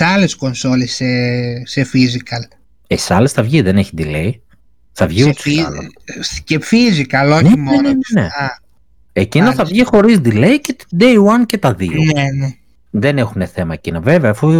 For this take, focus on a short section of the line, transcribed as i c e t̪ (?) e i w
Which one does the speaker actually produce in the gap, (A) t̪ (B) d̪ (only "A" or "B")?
B